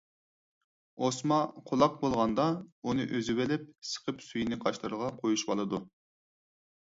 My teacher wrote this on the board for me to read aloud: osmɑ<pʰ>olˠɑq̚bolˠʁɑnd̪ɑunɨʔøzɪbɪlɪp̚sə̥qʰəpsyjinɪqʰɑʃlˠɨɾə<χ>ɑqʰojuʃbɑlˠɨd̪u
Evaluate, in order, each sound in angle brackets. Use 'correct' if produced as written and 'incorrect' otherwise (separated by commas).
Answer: incorrect, incorrect